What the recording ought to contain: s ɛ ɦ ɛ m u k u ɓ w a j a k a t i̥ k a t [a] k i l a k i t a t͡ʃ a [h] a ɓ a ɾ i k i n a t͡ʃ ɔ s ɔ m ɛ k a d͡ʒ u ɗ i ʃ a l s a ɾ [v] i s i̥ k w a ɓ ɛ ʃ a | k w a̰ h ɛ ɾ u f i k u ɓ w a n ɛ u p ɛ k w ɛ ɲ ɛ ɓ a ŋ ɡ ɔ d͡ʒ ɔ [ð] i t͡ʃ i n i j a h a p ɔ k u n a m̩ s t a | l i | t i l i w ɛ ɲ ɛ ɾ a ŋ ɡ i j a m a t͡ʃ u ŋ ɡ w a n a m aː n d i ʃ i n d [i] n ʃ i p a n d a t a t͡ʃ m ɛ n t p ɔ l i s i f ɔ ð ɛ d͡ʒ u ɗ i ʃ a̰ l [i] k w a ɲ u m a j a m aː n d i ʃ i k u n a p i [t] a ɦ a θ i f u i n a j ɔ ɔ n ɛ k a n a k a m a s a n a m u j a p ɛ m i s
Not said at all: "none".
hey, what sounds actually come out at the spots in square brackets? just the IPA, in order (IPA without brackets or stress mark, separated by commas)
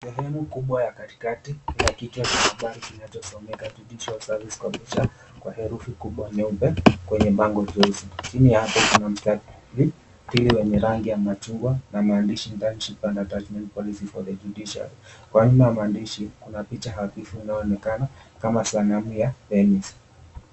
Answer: i, h, v, z, a, i, t͡ʃ